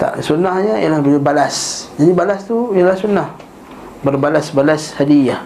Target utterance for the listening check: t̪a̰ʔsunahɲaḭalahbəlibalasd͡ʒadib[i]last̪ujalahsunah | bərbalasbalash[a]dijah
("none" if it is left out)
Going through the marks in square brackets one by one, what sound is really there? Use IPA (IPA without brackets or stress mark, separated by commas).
a, a